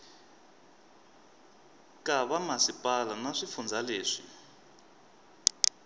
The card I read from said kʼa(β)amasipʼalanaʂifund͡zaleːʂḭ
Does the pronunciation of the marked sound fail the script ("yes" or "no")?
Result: no